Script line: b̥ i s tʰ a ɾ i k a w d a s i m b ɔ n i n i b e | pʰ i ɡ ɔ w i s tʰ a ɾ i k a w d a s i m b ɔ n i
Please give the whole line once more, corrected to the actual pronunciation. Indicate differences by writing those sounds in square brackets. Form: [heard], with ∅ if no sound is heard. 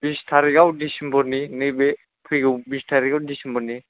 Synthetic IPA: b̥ i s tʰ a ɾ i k a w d [i] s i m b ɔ n i n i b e | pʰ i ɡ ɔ [b] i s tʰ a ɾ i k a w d [i] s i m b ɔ n i

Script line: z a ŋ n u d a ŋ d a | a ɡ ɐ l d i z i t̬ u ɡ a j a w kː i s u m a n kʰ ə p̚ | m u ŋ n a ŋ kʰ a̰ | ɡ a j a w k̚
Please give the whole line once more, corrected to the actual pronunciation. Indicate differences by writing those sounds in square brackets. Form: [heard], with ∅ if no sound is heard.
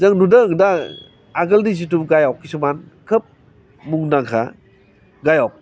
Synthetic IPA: z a ŋ n u d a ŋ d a | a ɡ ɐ l d i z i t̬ u ɡ a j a w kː i s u m a n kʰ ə p̚ | m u ŋ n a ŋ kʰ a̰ | ɡ a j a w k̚

